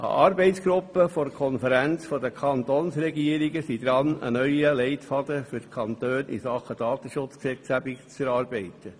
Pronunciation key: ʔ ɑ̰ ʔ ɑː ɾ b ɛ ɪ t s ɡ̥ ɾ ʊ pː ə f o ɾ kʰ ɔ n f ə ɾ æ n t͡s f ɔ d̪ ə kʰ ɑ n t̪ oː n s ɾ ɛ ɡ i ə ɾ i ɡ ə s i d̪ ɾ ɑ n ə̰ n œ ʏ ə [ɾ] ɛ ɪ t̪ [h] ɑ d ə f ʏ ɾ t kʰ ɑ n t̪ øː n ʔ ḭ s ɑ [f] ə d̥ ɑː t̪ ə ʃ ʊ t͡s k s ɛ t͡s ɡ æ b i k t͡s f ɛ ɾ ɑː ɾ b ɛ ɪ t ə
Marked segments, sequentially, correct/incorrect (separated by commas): incorrect, incorrect, incorrect